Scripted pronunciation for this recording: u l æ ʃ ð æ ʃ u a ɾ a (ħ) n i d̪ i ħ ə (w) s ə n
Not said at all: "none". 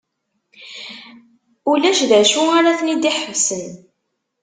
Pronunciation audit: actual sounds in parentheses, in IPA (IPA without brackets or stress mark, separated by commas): θ, v